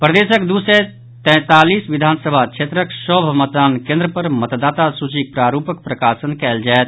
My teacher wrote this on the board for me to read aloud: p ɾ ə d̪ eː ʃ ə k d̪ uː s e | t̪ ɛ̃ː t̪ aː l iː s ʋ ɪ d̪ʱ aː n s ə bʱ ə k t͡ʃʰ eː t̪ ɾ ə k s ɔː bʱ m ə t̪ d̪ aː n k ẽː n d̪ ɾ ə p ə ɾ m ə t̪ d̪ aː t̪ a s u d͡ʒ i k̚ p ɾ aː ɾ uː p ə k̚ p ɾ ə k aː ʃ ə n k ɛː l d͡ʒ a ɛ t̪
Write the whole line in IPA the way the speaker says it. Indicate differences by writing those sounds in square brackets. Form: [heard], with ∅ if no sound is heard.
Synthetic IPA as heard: p ɾ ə d̪ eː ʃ ə k d̪ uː s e | t̪ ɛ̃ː t̪ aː l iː s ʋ ɪ d̪ʱ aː n s ə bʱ [a] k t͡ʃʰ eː t̪ ɾ ə k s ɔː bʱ m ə t̪ d̪ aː n k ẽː n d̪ ɾ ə p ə ɾ m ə t̪ d̪ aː t̪ a s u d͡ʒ i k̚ p ɾ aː ɾ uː p ə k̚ p ɾ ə k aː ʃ ə n k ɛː l d͡ʒ a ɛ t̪